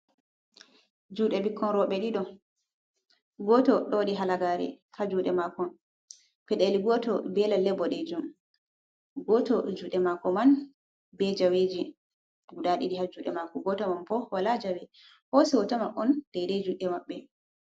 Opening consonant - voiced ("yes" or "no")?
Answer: yes